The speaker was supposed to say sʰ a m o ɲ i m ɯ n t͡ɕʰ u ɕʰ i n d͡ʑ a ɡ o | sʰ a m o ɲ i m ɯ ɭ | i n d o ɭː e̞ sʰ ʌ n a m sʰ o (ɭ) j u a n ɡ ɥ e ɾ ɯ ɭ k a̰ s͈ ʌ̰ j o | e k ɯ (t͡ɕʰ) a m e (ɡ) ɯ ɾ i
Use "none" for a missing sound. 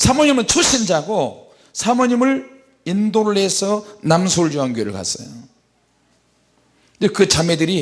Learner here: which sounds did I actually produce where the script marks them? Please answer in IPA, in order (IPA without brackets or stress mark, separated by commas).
ɭ, t͡ɕ, d